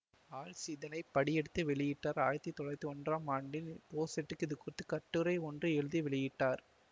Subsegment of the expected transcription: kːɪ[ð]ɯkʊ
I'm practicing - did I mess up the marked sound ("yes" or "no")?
no